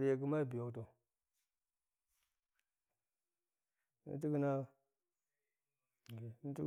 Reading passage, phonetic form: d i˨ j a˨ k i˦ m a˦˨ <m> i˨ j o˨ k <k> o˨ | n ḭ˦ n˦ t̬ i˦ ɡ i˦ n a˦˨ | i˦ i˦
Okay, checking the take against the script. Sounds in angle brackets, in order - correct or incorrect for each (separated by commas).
incorrect, incorrect